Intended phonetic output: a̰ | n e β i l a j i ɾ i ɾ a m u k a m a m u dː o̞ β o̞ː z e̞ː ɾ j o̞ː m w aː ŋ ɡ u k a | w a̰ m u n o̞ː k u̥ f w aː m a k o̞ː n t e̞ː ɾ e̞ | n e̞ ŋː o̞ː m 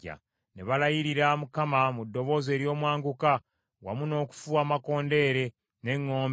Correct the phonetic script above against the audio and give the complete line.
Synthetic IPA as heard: a̰ | n e β a l a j i ɾ i ɾ a m u k a m a m u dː o̞ β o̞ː z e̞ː ɾ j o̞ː m w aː ŋ ɡ u k a | w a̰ m u n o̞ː k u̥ f u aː m a k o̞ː n d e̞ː ɾ e̞ | n e̞ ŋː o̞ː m